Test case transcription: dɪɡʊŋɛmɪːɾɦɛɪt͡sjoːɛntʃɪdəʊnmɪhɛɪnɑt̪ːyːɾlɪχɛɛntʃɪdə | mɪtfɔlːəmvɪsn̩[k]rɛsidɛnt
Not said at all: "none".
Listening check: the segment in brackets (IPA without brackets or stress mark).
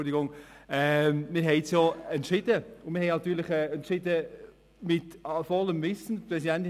p